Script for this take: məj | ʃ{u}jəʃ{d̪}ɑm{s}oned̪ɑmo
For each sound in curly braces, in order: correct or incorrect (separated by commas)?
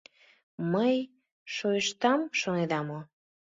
incorrect, incorrect, incorrect